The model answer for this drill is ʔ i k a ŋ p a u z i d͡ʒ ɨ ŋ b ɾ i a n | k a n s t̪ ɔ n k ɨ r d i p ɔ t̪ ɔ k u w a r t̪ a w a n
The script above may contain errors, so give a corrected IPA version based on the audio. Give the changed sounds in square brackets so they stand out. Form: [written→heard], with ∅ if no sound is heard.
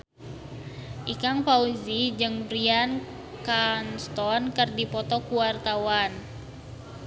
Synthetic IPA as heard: ʔ i k a ŋ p a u z i d͡ʒ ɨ ŋ b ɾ i a n | k a n s t̪ ɔ n k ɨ r d i p ɔ t̪ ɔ k u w a r t̪ a w a n